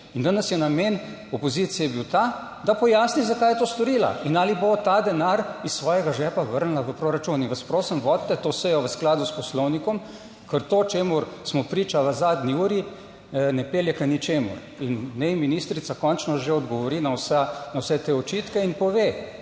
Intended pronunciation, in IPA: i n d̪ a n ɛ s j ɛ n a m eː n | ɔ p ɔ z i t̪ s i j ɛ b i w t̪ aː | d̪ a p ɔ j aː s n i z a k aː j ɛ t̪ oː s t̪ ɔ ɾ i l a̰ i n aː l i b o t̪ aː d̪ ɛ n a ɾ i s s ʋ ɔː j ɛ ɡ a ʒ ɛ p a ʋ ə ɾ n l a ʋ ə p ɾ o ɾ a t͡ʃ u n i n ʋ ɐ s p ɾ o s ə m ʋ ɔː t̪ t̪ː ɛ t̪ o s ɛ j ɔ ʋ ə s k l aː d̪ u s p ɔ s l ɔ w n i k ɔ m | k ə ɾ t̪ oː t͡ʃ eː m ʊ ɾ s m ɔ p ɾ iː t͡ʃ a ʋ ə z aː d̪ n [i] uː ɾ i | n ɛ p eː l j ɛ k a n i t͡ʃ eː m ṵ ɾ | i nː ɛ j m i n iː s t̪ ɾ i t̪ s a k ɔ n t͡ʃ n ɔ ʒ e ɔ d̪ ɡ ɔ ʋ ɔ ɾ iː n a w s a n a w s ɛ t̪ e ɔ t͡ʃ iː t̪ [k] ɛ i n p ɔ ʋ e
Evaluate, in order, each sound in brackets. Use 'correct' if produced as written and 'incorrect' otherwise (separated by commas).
correct, correct